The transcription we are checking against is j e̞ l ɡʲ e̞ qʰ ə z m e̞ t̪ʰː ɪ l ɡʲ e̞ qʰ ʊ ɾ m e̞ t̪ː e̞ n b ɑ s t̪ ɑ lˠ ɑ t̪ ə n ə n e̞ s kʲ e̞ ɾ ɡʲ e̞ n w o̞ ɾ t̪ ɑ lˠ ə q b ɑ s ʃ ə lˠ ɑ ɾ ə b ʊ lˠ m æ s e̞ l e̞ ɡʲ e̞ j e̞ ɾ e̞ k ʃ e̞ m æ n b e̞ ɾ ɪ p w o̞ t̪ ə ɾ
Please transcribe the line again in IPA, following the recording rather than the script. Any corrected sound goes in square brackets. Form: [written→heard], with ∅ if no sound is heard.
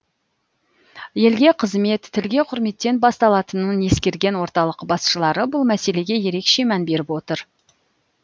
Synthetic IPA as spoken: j e̞ l ɡʲ e̞ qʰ ə z m e̞ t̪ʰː ɪ l ɡʲ e̞ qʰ ʊ ɾ m e̞ t̪ː e̞ n b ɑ s t̪ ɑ lˠ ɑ t̪ ə n ə n e̞ s kʲ e̞ ɾ ɡʲ e̞ n w o̞ ɾ t̪ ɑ lˠ ə q b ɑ s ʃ ə lˠ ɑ ɾ ə b ʊ lˠ m æ s e̞ l e̞ ɡʲ e̞ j e̞ ɾ e̞ k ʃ e̞ m æ n b e̞ ɾ ɪ p w o̞ t̪ ə ɾ